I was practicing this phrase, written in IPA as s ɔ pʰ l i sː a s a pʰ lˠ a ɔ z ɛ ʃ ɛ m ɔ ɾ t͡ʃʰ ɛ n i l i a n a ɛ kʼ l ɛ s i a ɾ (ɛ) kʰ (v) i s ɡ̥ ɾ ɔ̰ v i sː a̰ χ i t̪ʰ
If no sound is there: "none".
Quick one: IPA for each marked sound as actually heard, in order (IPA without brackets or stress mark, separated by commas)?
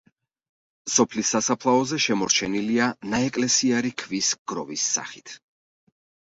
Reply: i, v